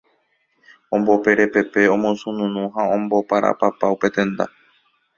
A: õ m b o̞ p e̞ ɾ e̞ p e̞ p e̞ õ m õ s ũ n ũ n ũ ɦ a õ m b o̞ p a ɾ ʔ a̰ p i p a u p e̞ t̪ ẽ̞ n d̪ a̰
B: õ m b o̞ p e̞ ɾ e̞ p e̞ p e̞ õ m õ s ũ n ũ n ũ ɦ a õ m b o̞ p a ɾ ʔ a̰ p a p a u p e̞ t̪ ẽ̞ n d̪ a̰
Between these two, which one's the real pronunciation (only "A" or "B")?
B